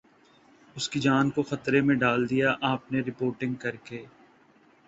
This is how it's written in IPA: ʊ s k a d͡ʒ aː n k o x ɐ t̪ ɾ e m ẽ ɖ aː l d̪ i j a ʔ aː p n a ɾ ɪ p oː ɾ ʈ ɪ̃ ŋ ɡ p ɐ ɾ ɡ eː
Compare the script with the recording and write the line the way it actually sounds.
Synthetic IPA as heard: ʊ s k i d͡ʒ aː n k o x ɐ t̪ ɾ e m ẽ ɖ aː l d̪ i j a ʔ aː p n e ɾ ɪ p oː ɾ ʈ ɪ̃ ŋ ɡ k ɐ ɾ k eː